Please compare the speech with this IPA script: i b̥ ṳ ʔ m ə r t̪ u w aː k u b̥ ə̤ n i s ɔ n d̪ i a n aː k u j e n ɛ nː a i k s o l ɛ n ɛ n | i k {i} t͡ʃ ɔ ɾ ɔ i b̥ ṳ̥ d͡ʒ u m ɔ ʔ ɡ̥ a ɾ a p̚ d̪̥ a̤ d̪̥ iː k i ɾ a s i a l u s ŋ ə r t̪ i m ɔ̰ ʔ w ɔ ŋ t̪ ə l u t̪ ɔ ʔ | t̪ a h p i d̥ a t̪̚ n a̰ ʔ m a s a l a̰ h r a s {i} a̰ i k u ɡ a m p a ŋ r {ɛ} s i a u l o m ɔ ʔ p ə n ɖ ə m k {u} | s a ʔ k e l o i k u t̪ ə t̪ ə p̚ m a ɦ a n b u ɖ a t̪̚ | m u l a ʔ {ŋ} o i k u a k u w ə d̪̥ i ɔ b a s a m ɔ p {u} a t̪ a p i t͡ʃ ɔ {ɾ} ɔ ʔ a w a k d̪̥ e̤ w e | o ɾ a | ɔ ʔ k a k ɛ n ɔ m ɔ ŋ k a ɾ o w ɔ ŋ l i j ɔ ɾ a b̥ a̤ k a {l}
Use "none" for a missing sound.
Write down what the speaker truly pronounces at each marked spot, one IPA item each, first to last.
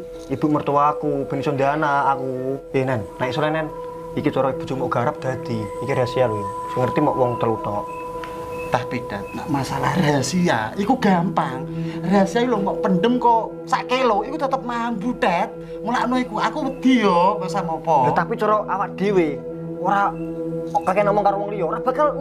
i, i, a, ɔ, n, ɔ, ɾ, l

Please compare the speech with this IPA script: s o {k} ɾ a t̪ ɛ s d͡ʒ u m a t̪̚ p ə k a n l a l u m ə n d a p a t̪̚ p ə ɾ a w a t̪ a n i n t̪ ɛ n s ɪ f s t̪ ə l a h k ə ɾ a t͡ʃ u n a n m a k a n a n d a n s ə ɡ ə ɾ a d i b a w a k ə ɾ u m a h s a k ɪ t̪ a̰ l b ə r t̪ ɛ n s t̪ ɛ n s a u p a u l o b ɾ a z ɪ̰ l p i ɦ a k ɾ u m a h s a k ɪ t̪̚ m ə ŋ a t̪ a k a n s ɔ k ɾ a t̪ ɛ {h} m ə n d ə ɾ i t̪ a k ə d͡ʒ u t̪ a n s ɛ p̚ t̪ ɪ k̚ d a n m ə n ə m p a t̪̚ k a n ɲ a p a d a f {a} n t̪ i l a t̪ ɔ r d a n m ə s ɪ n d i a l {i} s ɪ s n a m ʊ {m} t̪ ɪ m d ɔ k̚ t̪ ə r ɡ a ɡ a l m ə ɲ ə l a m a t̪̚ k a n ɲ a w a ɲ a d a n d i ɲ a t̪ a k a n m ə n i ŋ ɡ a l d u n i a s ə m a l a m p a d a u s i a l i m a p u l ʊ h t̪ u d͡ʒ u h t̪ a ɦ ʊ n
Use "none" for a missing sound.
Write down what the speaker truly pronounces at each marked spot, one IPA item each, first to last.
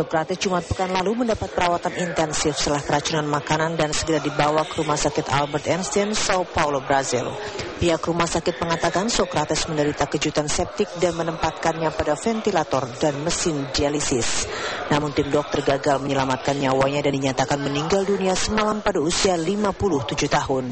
k, s, ɛ, i, n

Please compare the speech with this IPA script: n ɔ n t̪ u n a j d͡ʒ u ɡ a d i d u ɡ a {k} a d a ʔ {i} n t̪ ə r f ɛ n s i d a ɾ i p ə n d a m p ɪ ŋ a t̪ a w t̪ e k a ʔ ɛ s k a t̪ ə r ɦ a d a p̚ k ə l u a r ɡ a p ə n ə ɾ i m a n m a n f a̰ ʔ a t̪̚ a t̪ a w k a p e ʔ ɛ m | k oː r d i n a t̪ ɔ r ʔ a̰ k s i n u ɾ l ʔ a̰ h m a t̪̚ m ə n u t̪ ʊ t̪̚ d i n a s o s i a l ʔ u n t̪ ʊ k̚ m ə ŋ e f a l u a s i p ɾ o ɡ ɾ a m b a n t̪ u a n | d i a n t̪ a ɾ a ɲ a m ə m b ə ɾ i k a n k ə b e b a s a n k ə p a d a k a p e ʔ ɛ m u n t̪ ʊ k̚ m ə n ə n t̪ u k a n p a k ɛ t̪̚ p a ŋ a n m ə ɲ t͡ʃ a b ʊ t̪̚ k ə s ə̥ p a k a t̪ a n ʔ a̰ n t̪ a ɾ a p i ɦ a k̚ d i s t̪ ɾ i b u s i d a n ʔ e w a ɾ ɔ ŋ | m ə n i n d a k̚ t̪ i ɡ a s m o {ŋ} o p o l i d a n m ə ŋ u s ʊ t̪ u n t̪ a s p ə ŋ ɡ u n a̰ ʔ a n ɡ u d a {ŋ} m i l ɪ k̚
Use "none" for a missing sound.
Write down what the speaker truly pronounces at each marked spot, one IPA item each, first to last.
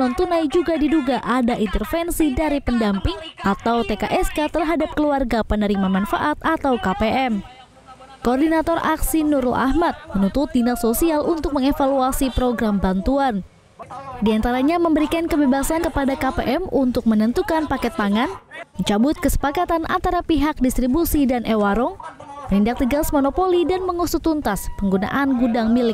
ʔ, i, n, ŋ

